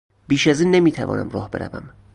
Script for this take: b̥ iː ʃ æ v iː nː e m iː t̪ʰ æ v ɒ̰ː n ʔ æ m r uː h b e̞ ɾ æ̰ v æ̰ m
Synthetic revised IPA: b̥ iː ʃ æ z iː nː e m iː t̪ʰ æ v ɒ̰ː n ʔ æ m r ɒː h b e̞ ɾ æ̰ v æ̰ m